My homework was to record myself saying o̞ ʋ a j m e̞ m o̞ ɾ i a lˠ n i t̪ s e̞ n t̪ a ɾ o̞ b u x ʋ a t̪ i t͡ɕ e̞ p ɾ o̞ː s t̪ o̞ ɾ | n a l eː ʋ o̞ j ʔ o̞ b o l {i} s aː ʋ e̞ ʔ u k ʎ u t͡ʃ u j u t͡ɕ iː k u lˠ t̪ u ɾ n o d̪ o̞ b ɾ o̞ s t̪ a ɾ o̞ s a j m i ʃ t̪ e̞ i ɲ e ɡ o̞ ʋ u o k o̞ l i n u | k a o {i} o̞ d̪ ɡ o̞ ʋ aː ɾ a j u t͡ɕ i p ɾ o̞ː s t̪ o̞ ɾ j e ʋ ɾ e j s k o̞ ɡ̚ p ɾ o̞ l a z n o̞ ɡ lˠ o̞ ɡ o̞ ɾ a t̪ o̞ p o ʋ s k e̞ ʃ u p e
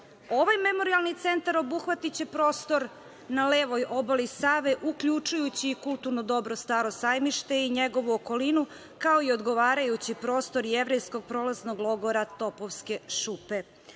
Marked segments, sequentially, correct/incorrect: correct, correct

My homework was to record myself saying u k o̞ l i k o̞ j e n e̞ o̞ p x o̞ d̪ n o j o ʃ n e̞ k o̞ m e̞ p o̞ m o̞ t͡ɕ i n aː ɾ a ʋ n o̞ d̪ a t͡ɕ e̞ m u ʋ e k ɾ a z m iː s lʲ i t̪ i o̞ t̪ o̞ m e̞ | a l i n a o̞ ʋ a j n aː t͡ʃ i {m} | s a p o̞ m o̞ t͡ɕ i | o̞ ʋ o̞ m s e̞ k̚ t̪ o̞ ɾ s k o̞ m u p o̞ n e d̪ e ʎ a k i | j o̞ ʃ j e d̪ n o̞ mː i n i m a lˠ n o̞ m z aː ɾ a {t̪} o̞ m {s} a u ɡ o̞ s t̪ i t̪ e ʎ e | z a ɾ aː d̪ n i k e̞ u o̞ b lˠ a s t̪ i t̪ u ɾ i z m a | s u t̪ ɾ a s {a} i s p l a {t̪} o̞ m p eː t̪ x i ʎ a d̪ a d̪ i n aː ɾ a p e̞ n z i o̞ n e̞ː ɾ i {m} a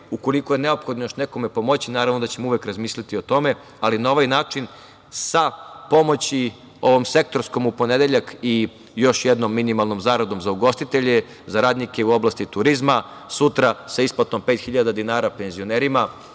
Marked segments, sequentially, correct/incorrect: incorrect, incorrect, incorrect, correct, correct, correct

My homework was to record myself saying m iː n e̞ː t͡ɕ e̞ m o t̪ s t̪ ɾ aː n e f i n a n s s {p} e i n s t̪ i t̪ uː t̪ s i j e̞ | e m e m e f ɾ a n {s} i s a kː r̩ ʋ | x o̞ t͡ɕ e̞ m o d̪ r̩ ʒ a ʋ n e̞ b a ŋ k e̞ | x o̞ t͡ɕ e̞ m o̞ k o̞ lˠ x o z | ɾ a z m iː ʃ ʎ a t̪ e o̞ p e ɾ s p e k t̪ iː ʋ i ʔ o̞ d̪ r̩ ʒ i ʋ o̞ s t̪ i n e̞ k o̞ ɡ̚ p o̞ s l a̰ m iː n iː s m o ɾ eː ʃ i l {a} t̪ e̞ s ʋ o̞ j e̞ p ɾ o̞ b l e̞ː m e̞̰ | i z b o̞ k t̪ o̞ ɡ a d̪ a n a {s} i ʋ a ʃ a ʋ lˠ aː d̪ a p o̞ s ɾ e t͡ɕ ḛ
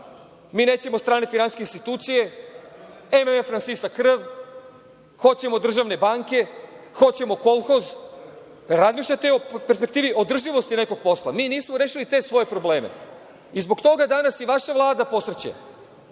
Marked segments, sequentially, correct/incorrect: incorrect, correct, incorrect, correct

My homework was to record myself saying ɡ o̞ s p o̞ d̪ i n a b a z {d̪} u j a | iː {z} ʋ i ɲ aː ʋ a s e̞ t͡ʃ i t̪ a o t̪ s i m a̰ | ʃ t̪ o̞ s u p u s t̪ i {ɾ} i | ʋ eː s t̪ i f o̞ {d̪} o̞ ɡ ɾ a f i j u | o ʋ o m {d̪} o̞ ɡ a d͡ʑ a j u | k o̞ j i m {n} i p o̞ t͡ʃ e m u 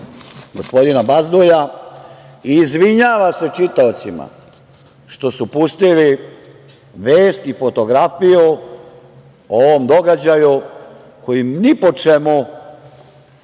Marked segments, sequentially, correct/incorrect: correct, correct, incorrect, incorrect, correct, correct

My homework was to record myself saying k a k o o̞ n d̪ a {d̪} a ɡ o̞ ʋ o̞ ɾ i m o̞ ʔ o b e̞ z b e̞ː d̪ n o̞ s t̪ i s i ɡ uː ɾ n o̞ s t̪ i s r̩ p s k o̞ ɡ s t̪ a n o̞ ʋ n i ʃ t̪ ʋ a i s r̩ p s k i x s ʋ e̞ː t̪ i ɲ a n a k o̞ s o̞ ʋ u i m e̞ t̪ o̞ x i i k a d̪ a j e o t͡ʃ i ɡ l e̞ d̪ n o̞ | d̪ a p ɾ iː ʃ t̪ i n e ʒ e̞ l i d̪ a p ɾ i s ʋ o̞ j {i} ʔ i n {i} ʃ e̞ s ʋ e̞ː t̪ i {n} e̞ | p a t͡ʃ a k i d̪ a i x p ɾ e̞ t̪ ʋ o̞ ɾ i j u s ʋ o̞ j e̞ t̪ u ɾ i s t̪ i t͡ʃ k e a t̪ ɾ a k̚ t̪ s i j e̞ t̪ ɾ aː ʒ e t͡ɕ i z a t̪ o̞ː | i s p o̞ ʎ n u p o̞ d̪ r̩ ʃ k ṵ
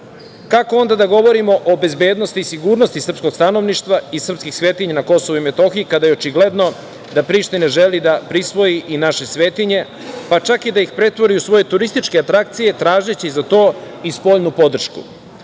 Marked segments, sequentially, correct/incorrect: correct, correct, incorrect, incorrect

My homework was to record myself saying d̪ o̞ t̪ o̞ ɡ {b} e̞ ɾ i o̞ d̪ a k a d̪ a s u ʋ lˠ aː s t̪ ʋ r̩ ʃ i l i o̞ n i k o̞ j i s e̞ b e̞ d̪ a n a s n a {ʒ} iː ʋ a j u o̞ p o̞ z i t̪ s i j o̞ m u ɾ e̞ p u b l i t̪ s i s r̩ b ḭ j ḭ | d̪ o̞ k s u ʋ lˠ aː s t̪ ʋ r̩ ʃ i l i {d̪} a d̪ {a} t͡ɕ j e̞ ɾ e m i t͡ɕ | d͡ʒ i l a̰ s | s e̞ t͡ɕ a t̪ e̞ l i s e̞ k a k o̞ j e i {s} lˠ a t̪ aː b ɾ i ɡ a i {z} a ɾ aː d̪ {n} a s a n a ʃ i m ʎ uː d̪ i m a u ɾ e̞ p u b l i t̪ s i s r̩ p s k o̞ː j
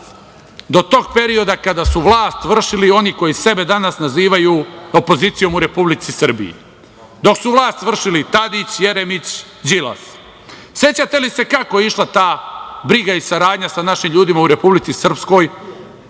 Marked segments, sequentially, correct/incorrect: incorrect, incorrect, incorrect, incorrect, incorrect, incorrect, incorrect

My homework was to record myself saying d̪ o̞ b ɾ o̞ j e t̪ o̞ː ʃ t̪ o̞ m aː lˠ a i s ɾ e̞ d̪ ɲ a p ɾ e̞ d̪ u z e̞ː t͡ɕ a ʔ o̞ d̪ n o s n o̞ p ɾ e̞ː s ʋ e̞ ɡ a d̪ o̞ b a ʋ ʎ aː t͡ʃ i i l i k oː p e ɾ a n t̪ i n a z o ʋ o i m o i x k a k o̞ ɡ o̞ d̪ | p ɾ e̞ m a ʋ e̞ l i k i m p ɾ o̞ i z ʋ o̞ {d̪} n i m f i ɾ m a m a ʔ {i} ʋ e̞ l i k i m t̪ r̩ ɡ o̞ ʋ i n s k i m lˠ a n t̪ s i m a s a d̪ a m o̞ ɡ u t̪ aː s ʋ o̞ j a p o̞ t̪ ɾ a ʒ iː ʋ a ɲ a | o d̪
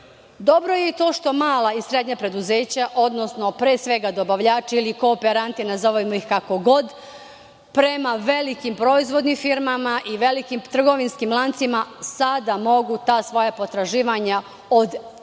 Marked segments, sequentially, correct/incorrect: correct, correct

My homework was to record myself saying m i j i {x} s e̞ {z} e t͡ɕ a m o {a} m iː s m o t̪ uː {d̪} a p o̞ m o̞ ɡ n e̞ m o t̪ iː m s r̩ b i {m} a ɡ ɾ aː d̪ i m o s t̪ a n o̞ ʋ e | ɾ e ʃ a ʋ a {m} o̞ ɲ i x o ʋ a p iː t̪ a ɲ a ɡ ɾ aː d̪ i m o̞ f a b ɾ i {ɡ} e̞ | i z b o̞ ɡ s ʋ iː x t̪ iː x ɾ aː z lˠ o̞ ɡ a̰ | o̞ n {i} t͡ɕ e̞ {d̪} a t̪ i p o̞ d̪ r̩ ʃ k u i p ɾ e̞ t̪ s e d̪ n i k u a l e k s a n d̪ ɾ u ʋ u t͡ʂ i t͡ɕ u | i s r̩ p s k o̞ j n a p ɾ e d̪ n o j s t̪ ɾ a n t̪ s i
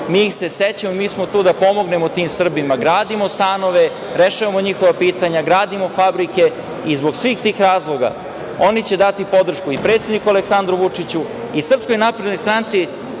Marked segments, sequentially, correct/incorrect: correct, incorrect, incorrect, correct, correct, correct, incorrect, correct, correct

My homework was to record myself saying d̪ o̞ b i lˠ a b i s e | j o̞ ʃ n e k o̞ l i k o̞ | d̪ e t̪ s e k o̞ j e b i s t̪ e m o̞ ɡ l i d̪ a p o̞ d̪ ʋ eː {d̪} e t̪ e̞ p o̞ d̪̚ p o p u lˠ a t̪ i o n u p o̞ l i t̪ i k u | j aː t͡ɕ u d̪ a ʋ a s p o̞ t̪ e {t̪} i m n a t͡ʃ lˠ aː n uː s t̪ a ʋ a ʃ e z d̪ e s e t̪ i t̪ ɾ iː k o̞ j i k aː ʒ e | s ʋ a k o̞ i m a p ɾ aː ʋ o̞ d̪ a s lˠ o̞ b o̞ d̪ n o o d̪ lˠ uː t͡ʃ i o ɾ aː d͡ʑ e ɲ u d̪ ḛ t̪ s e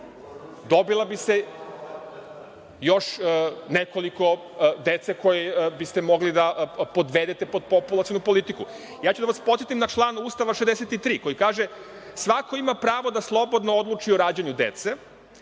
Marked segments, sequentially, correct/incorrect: correct, correct

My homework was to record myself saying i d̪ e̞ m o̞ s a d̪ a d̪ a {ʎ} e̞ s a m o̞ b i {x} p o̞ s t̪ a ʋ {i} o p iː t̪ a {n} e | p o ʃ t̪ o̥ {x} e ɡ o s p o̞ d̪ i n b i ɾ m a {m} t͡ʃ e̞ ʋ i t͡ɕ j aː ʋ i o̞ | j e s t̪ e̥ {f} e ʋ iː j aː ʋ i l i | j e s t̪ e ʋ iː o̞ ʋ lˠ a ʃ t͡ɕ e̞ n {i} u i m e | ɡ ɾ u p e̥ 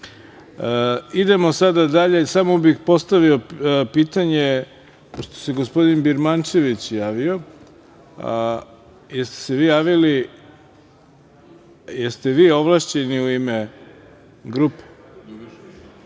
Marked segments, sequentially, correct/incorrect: correct, correct, correct, incorrect, incorrect, incorrect, incorrect, correct

